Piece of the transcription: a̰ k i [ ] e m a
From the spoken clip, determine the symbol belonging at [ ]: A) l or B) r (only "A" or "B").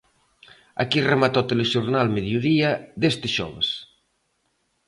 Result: B